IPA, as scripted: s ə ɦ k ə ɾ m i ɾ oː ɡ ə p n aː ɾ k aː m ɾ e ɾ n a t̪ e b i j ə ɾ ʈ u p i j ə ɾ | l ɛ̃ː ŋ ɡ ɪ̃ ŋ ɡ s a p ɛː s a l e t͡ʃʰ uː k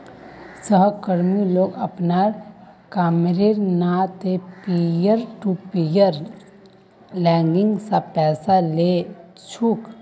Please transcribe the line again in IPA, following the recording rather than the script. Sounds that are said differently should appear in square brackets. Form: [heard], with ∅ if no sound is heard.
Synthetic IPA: s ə ɦ k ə ɾ m i [l] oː ɡ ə p n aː ɾ k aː m ɾ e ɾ n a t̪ e [p] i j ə ɾ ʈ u p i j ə ɾ | l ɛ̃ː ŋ ɡ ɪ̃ ŋ ɡ s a p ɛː s a l e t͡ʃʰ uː k